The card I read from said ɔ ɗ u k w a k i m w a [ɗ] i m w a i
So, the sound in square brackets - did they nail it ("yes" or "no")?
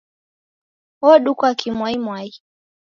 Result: no